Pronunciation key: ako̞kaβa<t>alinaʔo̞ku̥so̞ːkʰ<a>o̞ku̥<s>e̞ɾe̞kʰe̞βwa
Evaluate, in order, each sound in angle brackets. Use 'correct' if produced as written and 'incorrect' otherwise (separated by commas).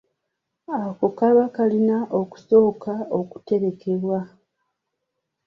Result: incorrect, correct, incorrect